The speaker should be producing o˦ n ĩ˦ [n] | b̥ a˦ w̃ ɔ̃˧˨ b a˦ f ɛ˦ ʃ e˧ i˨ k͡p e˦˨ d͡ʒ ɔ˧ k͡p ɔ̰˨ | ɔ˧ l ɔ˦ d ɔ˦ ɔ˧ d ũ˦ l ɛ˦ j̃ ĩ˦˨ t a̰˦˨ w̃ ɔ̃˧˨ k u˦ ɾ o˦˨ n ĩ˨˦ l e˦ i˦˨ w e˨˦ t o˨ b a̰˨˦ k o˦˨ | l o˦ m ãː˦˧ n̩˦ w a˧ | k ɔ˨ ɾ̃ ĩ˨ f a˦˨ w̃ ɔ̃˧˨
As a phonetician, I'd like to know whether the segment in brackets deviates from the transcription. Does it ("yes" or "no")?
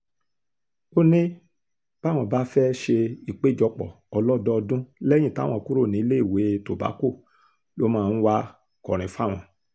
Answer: yes